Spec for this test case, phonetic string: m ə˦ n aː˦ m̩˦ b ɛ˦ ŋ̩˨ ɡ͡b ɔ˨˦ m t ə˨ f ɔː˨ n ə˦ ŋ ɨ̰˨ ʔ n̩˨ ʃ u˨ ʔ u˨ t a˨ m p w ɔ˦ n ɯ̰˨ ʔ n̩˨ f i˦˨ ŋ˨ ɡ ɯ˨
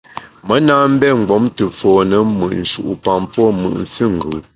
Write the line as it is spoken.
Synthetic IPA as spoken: m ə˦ n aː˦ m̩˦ b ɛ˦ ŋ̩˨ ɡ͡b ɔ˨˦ m t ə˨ f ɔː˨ n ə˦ m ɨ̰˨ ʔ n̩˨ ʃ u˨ ʔ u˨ p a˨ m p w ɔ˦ m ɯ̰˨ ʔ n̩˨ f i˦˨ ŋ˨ ɡ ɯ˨